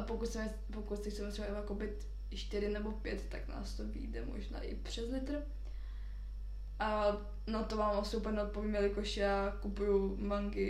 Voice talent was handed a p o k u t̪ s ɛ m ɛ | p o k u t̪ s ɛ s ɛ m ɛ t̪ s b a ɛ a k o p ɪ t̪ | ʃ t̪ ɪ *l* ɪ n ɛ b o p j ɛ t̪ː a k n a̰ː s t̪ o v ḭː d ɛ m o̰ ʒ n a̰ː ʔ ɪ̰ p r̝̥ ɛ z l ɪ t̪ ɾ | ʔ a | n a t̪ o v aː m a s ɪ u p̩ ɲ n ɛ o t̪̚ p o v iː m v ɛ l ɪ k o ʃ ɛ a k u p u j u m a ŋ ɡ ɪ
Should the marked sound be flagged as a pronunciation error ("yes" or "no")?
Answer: yes